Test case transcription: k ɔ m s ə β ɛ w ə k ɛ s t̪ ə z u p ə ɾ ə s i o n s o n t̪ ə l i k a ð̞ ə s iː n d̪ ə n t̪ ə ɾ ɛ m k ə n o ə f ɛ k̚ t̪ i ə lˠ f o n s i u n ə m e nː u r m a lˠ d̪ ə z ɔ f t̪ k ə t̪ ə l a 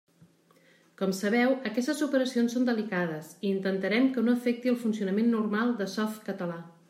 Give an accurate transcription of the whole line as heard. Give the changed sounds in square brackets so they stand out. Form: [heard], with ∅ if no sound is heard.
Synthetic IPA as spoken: k ɔ m s ə β ɛ w ə k ɛ s t̪ ə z u p ə ɾ ə s i o n s o n [d̪] ə l i k a ð̞ ə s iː n [t̪] ə n t̪ ə ɾ ɛ m k ə n o ə f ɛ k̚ t̪ i ə lˠ f [u] n s i u n ə m e nː u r m a lˠ d̪ ə [s] ɔ f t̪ k ə t̪ ə l a

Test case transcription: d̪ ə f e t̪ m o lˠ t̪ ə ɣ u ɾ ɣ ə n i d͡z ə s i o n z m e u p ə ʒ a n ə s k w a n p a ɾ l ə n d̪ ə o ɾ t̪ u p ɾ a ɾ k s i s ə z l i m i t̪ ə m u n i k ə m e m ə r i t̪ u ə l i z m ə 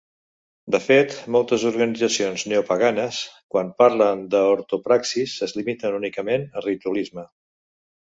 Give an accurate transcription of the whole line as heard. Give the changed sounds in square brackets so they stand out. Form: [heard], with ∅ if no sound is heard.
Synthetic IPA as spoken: d̪ ə f e t̪ m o lˠ t̪ ə [z] u ɾ ɣ ə n i d͡z ə s i o n z [n] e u p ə [ɣ] a n ə s k w a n p a ɾ l ə n d̪ ə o ɾ t̪ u p ɾ a [∅] k s i s ə z l i m i t̪ ə [n] u n i k ə m e [n] ə r i t̪ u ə l i z m ə

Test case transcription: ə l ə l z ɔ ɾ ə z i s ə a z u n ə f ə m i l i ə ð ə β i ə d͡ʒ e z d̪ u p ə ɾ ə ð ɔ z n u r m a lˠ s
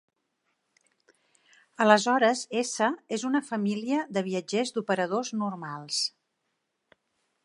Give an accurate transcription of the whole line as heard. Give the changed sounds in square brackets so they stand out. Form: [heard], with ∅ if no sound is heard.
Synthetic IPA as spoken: ə l ə [∅] z ɔ ɾ ə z [e] s ə [e] z u n ə f ə m i l i ə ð ə β i ə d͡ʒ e z d̪ u p ə ɾ ə ð [o] z n u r m a lˠ s

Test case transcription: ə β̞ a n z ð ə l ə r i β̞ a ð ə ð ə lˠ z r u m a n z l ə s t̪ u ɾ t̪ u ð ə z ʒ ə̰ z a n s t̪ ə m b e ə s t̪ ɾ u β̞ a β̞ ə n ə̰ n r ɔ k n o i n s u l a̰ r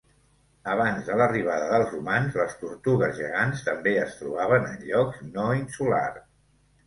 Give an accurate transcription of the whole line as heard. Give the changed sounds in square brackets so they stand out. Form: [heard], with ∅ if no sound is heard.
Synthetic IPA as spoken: ə β̞ a n z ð ə l ə r i β̞ a ð ə ð ə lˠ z r u m a n z l ə s t̪ u ɾ t̪ u [ɣ] ə z ʒ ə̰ [ɣ] a n s t̪ ə m b e ə s t̪ ɾ u β̞ a β̞ ə n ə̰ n [ʎ] ɔ k n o i n s u l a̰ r

